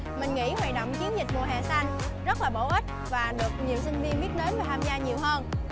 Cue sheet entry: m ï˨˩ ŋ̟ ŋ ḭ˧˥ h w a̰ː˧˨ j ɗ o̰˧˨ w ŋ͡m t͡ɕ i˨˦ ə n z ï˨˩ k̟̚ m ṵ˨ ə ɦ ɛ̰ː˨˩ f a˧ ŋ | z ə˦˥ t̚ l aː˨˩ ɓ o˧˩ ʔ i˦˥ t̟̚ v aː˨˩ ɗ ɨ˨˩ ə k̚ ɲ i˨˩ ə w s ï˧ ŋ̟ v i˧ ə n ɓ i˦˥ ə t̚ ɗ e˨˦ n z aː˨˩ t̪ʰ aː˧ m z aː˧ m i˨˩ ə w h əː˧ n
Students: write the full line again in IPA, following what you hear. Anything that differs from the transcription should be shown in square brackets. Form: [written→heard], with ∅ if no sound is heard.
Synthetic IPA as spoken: m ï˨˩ ŋ̟ ŋ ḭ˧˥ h w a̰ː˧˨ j ɗ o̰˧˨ w ŋ͡m t͡ɕ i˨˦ ə n z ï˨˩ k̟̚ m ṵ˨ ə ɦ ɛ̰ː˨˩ [f→s] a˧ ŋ | z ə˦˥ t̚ l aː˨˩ ɓ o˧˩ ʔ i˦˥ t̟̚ v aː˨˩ ɗ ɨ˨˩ ə k̚ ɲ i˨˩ ə w s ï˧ ŋ̟ v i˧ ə n ɓ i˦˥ ə t̚ ɗ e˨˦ n [z→v] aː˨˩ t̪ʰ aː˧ m z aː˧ [m→ɲ] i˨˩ ə w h əː˧ n